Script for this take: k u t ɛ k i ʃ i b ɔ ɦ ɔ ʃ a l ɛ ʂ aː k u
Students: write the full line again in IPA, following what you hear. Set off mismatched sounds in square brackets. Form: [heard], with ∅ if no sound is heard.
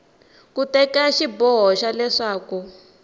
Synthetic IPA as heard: k u t ɛ k [a] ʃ i b ɔ ɦ ɔ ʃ a l ɛ ʂ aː k u